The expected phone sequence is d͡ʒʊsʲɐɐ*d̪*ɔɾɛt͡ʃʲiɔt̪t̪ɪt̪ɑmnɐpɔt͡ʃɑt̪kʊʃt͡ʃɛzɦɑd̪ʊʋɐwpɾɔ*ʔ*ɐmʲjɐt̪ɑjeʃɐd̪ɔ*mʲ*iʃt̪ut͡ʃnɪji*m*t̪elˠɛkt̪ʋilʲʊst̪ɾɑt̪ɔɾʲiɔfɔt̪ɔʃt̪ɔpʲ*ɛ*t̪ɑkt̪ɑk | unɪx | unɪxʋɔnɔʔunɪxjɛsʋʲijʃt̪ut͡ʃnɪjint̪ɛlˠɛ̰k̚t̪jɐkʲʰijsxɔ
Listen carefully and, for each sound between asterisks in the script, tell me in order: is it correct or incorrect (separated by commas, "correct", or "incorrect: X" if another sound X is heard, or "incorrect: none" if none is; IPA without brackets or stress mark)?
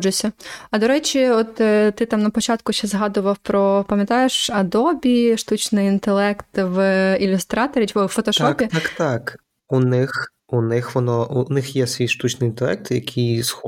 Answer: correct, incorrect: p, incorrect: bʲ, incorrect: n, incorrect: i